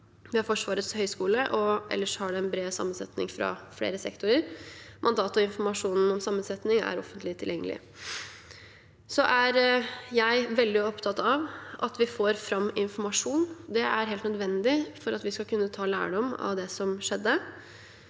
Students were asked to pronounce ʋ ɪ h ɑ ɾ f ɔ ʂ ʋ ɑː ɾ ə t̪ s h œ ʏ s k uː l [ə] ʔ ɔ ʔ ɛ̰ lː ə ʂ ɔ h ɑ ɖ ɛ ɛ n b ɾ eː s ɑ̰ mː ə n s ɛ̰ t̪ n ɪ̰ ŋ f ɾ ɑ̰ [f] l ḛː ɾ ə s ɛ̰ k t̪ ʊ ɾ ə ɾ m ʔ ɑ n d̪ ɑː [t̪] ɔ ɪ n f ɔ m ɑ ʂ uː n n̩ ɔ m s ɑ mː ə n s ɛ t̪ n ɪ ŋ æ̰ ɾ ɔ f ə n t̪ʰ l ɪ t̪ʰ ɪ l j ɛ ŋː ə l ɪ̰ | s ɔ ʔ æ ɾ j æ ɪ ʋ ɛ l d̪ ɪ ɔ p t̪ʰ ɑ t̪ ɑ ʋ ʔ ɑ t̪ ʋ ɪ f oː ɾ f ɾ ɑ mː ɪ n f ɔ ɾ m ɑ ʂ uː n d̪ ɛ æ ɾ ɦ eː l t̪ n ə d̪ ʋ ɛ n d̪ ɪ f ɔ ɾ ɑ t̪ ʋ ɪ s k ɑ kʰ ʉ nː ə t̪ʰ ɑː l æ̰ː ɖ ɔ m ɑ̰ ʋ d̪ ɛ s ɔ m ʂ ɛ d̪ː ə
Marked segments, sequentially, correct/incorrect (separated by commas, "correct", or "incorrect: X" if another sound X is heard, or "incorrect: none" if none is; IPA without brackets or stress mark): correct, correct, correct